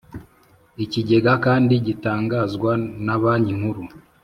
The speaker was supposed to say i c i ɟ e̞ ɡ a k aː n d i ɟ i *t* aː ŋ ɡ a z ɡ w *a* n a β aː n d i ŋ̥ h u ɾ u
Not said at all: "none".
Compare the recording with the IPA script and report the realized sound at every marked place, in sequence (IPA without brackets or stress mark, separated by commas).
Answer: t, a